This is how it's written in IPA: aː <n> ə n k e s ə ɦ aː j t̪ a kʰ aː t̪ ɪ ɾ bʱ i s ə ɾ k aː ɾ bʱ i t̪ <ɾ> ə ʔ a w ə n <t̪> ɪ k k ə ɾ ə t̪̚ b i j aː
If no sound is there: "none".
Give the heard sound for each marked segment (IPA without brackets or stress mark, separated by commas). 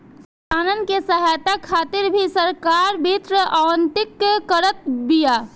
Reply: n, ɾ, t̪